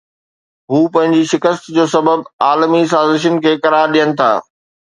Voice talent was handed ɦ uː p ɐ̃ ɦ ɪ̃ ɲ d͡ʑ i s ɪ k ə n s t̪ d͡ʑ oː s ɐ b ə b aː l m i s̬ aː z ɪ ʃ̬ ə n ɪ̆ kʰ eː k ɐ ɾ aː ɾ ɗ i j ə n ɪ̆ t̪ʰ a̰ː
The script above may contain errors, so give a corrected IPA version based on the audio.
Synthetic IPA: ɦ uː p ɐ̃ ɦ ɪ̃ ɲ d͡ʑ i ʃ ɪ k ə s t̪ d͡ʑ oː s ɐ b ə b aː l m i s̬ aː z ɪ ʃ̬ ə n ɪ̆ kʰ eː k ɐ ɾ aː ɾ ɗ i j ə n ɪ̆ t̪ʰ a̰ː

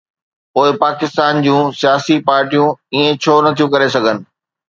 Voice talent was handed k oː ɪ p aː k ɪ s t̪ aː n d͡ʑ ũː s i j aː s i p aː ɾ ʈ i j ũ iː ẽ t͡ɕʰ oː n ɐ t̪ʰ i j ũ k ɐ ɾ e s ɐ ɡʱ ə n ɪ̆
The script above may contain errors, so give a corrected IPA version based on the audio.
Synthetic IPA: p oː ɪ p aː k ɪ s t̪ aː n d͡ʑ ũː s i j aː s i p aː ɾ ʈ i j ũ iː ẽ t͡ɕʰ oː n ɐ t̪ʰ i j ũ k ɐ ɾ e s ɐ ɡʱ ə n ɪ̆

